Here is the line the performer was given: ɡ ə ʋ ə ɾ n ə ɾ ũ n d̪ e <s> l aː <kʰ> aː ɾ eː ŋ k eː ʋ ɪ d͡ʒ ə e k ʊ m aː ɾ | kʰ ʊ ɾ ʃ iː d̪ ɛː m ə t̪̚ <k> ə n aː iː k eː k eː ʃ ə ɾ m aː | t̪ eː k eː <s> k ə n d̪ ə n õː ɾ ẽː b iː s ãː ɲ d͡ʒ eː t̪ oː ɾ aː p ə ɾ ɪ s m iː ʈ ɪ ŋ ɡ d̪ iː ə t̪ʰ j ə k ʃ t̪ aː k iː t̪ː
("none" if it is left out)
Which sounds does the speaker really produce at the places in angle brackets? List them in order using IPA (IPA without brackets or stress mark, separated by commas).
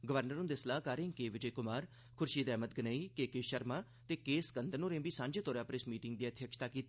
s, k, ɡ, s